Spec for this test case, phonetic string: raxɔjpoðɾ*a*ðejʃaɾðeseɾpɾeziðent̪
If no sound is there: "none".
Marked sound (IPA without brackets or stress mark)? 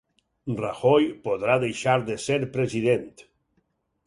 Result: a